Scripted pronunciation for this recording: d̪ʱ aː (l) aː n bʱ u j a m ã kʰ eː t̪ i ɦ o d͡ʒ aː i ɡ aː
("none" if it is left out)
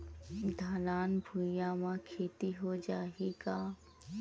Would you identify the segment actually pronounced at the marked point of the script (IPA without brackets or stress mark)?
l